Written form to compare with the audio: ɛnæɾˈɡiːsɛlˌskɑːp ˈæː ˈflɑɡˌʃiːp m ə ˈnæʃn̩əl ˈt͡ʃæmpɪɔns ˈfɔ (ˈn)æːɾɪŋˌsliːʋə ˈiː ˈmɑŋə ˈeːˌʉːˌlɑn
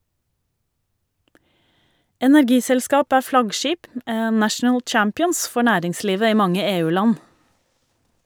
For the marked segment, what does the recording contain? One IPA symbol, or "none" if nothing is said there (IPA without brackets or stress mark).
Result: ɳ